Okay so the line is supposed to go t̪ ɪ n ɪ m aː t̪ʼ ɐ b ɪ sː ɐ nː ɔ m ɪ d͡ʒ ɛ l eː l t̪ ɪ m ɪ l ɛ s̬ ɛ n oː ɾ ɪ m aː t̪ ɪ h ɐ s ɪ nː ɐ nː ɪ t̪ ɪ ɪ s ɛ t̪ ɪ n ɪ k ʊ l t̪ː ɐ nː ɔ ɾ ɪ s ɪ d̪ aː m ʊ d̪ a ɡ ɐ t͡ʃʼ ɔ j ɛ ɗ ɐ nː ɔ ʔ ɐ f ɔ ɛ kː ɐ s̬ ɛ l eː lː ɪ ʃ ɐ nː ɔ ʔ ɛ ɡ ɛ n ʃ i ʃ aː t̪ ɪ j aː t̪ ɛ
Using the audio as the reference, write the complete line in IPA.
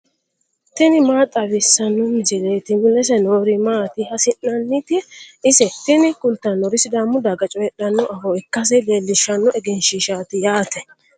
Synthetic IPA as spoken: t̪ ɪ n ɪ m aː t̪ʼ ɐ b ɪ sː ɐ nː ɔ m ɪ d͡ʒ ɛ l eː t̪ ɪ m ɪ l ɛ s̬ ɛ n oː ɾ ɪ m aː t̪ ɪ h ɐ s ɪ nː ɐ nː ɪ t̪ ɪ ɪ s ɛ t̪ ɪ n ɪ k ʊ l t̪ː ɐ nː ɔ ɾ ɪ s ɪ d̪ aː m ʊ d̪ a ɡ ɐ t͡ʃʼ ɔ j ɛ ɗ ɐ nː ɔ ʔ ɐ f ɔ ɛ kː ɐ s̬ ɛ l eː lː ɪ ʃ ɐ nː ɔ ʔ ɛ ɡ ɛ n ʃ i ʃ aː t̪ ɪ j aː t̪ ɛ